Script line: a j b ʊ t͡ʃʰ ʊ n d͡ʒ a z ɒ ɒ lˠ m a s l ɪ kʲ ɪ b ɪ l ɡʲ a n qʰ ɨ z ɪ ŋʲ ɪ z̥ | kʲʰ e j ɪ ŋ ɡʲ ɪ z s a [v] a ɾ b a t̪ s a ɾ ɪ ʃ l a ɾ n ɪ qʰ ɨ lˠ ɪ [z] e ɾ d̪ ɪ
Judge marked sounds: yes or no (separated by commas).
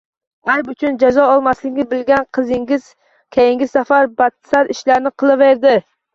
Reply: no, no